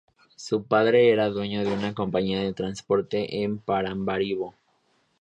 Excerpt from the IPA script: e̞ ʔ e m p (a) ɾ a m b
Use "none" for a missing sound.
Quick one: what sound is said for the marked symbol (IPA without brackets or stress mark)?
a